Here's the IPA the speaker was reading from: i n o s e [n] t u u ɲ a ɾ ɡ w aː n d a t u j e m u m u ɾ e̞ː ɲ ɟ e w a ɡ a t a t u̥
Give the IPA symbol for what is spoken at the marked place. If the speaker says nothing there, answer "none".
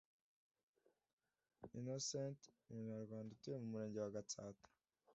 n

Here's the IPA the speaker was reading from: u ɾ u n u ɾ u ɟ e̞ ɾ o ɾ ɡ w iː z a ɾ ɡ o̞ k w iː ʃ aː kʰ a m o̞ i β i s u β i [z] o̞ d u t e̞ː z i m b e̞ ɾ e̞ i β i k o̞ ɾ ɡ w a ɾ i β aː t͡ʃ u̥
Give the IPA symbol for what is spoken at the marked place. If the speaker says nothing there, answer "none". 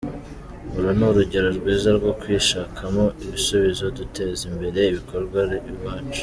z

